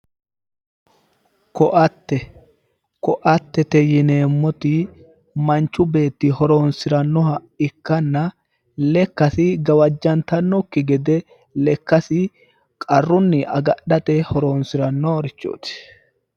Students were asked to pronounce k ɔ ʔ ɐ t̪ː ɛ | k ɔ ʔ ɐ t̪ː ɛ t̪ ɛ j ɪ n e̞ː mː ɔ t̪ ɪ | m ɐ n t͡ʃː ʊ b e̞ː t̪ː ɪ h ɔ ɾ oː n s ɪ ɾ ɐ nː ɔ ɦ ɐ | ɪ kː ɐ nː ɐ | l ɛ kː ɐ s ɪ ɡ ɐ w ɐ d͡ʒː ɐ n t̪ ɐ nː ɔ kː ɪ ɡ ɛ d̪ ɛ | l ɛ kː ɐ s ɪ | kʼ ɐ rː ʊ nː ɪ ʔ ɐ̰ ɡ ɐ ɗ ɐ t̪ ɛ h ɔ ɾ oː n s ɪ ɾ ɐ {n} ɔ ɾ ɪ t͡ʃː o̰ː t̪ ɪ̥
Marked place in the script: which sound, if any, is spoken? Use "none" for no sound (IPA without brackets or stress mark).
nː